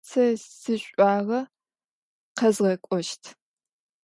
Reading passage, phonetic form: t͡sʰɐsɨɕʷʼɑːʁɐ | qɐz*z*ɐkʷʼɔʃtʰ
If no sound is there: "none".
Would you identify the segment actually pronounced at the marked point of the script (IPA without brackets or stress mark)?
ʁ